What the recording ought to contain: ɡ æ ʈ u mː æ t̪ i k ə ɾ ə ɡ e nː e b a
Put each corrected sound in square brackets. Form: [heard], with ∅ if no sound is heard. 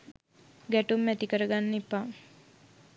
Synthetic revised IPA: ɡ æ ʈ u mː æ t̪ i k ə ɾ ə ɡ [a] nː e [p] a